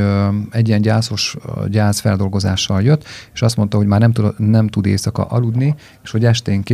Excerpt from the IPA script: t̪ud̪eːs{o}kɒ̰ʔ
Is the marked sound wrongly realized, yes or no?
yes